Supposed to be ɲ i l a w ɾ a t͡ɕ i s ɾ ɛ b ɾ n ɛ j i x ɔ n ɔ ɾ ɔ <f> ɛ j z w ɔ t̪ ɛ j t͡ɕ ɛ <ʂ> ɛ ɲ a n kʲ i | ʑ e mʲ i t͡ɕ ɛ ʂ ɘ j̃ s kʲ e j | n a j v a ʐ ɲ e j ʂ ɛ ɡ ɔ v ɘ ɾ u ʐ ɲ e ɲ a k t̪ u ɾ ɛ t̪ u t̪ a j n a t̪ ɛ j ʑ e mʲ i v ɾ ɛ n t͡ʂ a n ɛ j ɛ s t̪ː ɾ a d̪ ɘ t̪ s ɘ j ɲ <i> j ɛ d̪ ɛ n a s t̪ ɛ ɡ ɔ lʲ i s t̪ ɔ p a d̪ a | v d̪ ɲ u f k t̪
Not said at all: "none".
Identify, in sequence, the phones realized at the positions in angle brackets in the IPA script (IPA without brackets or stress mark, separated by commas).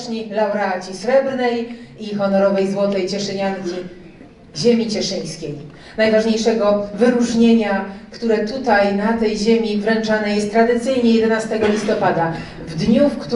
v, ʂ, ɛ